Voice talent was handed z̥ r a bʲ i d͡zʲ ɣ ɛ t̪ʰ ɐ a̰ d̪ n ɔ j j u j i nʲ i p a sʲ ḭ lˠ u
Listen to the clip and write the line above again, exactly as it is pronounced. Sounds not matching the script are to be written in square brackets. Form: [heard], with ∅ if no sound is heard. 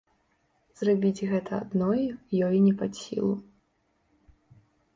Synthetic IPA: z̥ r a bʲ i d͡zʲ ɣ ɛ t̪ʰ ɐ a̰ d̪ n ɔ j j [ɔ] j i nʲ [ɛ] p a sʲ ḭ lˠ u